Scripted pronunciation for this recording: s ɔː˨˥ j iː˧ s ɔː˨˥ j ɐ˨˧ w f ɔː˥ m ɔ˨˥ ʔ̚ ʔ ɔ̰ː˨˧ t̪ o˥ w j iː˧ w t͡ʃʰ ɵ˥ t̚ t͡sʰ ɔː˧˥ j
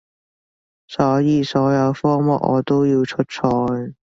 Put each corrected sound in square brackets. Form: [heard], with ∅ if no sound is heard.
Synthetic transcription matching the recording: s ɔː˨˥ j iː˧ s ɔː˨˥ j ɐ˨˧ w f ɔː˥ m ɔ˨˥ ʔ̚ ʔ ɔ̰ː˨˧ t̪ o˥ w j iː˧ w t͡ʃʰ ɵ˥ t̚ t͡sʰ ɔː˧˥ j